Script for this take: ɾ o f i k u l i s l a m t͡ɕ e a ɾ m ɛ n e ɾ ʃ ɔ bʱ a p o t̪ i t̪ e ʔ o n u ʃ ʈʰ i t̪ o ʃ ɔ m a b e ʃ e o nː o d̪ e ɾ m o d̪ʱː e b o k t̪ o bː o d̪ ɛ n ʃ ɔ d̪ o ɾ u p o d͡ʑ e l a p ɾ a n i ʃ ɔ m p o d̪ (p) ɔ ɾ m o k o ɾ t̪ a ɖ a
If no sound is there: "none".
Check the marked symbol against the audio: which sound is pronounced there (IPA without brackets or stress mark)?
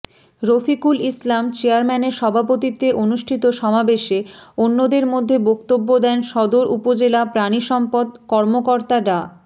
k